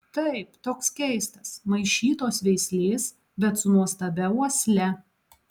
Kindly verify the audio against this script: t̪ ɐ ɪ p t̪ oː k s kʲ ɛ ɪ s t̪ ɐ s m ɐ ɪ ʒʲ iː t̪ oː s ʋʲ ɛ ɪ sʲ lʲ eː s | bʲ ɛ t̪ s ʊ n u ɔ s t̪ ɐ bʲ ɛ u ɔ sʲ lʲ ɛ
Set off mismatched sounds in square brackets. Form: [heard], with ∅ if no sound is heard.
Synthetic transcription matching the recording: t̪ ɐ ɪ p t̪ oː k s kʲ ɛ ɪ s t̪ ɐ s m ɐ ɪ [ʃʲ] iː t̪ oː s ʋʲ ɛ ɪ sʲ lʲ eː s | bʲ ɛ t̪ s ʊ n u ɔ s t̪ ɐ bʲ ɛ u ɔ sʲ lʲ ɛ